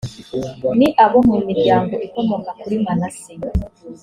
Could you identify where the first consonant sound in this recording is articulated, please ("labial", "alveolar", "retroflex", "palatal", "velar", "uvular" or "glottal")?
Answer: alveolar